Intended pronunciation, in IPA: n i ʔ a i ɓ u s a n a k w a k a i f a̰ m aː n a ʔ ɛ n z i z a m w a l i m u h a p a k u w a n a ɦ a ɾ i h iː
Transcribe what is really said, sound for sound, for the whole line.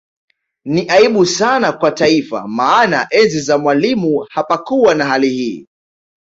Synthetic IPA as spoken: n i ʔ a i ɓ u s a n a k w a t a i f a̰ m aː n a ʔ ɛ n z i z a m w a l i m u h a p a k u w a n a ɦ a l i h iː